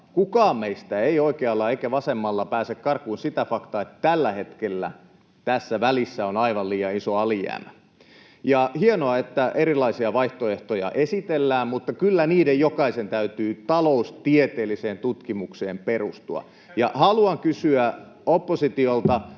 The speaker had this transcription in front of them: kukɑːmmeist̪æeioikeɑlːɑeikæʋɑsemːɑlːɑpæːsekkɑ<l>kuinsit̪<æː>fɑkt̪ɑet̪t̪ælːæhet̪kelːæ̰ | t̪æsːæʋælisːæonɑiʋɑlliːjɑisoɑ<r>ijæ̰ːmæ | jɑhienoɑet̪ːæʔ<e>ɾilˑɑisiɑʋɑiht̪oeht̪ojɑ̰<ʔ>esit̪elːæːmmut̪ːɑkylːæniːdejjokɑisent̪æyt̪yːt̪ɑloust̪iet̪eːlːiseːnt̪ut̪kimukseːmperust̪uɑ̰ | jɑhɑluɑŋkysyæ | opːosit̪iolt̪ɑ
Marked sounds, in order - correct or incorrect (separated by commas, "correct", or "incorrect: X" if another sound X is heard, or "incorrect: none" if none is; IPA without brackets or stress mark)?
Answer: incorrect: r, incorrect: æ, incorrect: l, correct, correct